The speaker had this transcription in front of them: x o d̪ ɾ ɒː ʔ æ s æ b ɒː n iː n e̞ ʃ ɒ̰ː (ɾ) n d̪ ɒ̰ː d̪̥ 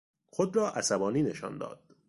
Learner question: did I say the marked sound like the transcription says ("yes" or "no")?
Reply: no